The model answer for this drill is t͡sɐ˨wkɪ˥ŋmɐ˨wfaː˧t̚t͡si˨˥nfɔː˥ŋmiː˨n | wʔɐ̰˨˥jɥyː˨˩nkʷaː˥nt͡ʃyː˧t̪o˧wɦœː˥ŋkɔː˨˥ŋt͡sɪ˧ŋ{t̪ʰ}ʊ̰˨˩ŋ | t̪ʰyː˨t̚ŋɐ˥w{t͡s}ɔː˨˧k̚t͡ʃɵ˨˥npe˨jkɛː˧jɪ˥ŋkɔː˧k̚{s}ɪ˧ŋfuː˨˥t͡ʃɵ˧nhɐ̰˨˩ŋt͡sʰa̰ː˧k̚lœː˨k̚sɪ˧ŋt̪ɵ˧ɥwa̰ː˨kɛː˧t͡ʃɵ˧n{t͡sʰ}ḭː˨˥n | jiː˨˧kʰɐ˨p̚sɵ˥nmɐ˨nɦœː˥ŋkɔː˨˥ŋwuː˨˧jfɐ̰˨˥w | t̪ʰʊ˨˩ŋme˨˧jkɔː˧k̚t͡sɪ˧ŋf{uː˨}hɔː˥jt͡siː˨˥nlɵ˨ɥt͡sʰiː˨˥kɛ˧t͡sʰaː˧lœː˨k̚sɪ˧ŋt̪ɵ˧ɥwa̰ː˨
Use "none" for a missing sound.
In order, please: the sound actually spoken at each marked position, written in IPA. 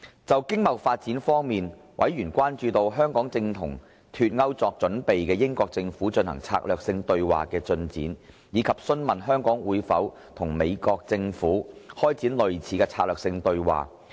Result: t̪ʰ, t͡s, t͡s, t͡s, uː˨˥

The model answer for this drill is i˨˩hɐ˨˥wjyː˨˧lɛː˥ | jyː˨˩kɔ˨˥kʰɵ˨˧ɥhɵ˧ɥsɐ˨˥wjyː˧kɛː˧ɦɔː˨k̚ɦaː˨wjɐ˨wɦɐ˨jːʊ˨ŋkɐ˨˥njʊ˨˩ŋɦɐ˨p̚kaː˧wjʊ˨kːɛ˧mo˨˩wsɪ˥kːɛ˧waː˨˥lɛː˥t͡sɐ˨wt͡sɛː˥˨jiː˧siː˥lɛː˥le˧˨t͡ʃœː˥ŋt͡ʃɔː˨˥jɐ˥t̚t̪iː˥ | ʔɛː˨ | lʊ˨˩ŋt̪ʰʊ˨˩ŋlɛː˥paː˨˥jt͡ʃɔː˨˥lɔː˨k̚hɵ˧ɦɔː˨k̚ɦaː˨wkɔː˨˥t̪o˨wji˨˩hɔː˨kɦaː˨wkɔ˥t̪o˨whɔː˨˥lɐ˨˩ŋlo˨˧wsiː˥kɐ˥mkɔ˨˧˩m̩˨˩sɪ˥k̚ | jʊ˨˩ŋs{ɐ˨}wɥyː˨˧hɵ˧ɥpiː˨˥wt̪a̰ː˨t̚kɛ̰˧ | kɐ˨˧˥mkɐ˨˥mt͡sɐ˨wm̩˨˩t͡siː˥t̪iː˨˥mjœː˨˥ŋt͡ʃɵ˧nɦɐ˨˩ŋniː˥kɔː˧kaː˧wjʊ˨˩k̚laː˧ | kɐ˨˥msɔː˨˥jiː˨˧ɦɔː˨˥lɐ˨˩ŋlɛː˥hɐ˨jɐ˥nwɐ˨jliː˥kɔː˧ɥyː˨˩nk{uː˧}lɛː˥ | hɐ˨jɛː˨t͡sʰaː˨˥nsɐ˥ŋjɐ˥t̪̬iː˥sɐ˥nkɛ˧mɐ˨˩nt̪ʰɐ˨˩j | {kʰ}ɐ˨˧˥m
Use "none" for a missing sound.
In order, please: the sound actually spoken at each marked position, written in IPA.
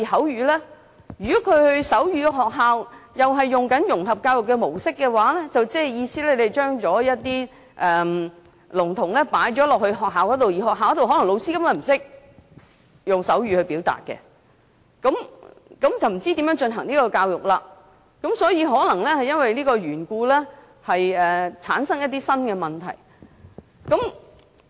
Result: ɐ˨˥, uː˧, k

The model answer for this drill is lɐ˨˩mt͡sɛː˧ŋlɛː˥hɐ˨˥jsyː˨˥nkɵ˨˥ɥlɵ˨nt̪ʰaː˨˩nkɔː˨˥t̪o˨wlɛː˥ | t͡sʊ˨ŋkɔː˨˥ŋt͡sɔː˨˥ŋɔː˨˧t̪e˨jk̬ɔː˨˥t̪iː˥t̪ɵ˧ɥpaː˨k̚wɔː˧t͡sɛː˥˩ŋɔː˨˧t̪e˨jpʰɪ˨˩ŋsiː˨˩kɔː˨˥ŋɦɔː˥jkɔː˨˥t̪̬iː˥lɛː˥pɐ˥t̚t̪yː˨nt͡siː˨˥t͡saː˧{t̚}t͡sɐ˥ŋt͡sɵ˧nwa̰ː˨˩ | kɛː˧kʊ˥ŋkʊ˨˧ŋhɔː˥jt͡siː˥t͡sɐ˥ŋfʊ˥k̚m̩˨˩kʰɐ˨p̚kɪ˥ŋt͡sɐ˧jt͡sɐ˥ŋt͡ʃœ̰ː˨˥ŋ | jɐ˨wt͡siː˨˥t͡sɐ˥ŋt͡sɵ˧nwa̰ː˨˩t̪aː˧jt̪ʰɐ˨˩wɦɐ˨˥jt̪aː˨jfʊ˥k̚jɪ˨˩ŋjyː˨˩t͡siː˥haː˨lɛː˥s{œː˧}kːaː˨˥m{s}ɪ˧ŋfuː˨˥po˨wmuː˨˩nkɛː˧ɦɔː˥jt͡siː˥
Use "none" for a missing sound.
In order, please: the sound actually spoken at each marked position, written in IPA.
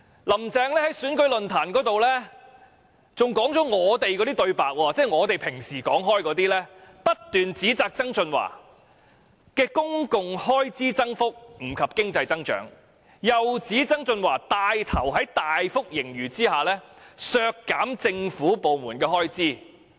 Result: k̚, œː˧, t͡s

